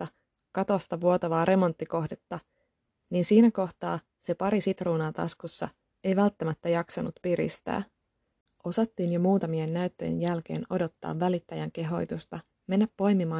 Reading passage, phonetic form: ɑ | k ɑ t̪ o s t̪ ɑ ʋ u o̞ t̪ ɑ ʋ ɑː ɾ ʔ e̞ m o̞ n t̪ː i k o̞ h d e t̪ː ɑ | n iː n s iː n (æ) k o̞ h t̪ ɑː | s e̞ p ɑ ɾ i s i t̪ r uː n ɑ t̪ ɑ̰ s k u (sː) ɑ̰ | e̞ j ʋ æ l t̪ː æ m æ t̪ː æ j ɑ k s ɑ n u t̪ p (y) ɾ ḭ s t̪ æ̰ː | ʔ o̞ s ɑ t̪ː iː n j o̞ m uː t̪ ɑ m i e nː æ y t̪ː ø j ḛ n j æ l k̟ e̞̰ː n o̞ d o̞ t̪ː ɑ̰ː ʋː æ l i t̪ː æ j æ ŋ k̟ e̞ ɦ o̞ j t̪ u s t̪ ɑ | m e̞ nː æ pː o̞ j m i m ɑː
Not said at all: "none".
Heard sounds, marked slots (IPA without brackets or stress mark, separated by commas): æ, sː, i